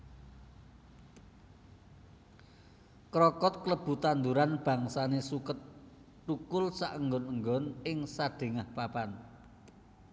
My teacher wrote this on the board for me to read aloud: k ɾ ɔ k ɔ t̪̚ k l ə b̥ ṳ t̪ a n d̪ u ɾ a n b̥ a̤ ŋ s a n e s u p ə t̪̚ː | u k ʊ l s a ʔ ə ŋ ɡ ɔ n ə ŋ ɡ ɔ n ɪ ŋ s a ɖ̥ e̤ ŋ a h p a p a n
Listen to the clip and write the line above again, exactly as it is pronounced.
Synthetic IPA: k ɾ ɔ k ɔ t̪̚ k l ə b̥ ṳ t̪ a n d̪ u ɾ a n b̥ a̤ ŋ s a n e s u k ə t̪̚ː | u k ʊ l s a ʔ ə ŋ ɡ ɔ n ə ŋ ɡ ɔ n ɪ ŋ s a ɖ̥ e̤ ŋ a h p a p a n